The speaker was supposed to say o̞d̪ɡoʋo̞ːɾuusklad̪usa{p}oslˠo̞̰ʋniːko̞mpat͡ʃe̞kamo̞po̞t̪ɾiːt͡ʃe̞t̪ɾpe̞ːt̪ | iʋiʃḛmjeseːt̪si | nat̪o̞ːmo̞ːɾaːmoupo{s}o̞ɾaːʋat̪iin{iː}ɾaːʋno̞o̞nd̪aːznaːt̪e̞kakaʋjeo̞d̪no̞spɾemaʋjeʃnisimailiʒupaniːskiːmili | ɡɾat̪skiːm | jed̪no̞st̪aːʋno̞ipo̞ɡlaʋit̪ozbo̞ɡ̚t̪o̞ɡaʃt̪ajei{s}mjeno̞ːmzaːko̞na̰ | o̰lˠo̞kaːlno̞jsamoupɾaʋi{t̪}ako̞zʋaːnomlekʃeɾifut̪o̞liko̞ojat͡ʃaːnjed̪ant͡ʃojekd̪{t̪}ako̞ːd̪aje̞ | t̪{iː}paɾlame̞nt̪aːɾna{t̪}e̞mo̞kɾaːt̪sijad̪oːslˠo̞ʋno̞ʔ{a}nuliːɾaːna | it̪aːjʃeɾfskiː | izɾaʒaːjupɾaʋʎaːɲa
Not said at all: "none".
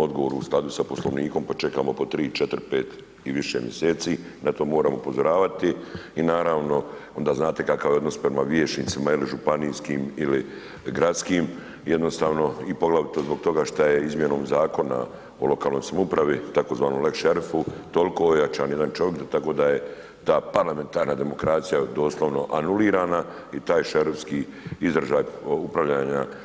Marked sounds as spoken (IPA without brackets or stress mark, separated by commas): p, z, aː, z, t̪, t̪, aː, d̪, a